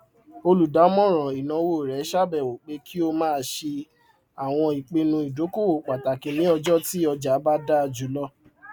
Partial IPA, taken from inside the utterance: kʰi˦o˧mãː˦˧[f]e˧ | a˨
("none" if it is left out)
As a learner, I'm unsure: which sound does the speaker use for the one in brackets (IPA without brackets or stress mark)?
ʃ